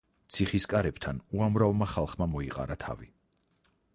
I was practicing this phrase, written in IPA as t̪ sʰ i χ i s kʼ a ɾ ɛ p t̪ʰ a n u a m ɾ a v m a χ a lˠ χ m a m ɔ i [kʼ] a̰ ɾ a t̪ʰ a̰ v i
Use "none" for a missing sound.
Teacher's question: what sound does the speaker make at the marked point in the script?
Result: qʼ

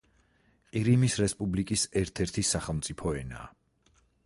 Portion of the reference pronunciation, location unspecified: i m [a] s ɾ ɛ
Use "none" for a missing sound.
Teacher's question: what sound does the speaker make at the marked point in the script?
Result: i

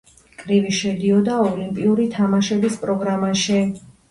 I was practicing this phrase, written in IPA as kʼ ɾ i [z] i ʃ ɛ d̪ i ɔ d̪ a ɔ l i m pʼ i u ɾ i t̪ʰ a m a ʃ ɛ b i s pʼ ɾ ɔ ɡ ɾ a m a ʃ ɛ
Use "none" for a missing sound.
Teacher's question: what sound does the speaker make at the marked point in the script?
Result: v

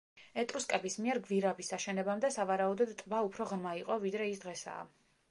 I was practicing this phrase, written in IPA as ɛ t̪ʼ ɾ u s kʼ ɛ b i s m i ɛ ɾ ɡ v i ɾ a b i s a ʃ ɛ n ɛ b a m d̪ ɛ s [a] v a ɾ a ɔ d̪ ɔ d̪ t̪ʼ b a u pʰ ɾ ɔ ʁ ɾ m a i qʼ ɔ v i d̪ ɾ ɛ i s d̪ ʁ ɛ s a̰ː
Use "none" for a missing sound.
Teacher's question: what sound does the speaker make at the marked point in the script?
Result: a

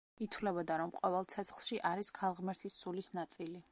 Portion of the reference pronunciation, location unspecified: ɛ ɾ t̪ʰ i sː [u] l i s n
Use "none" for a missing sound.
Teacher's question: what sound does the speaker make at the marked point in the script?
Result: u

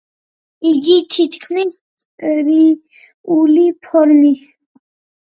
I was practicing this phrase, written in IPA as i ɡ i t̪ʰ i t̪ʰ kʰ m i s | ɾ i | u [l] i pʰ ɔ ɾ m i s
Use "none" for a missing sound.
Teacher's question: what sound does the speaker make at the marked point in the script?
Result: l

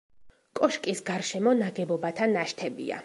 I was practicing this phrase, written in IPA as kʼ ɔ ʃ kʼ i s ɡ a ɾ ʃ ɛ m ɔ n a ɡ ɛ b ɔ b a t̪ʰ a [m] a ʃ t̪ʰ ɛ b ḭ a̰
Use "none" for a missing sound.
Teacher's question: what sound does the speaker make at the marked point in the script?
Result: n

